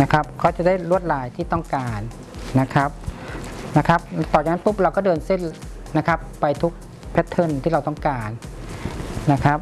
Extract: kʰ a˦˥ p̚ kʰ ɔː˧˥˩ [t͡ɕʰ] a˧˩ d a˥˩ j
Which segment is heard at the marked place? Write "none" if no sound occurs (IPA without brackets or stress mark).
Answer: t͡ɕ